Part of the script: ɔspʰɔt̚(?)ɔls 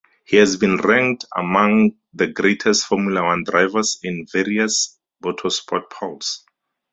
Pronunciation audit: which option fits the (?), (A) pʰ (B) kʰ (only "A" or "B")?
A